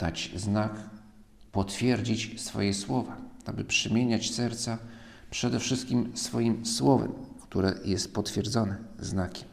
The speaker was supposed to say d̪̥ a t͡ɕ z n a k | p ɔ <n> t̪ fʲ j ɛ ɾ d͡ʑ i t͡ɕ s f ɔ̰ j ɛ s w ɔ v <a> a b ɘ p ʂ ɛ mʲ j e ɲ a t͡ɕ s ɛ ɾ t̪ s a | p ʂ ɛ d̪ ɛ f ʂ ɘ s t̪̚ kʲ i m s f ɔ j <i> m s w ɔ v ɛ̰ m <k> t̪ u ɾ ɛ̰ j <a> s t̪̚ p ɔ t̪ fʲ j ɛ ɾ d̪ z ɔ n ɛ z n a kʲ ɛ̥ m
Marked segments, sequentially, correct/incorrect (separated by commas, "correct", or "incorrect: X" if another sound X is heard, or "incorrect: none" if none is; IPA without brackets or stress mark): incorrect: none, correct, correct, correct, incorrect: ɛ